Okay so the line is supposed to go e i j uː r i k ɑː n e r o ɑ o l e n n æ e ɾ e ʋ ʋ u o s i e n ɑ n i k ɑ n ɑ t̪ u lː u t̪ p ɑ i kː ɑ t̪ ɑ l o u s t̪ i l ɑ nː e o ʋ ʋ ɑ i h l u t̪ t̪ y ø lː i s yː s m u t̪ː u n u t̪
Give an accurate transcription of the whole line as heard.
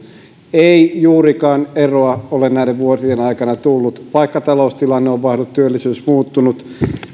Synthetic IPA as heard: e i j uː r i k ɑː n e r o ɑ o l e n n æ i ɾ e ʋ ʋ u o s i e n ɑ i k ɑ n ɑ t̪ u lː u t̪ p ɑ i kː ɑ t̪ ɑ l o u s t̪ i l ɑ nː e o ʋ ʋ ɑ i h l u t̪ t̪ y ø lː i s yː s m uː t̪ː u n u t̪